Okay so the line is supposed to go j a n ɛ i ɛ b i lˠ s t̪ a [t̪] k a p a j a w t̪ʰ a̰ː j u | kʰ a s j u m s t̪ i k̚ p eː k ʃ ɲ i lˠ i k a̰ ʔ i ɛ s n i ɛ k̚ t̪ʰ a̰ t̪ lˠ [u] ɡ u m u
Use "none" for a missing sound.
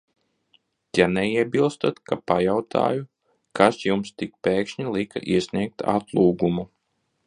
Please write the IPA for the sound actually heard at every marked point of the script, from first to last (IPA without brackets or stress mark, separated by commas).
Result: t̪, uː